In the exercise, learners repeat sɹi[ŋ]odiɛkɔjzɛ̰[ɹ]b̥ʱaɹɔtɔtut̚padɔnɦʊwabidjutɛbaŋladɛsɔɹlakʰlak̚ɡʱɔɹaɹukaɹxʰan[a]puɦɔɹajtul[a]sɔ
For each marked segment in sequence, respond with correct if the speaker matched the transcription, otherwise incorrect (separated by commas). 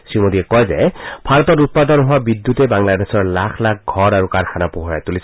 incorrect, incorrect, correct, incorrect